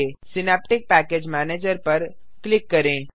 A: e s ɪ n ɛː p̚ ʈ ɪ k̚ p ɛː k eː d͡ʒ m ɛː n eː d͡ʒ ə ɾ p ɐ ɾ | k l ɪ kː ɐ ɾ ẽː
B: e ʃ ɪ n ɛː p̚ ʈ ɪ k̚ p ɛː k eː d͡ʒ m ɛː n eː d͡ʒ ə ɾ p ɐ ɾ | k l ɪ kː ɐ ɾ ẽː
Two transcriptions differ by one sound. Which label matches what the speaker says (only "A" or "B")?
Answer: A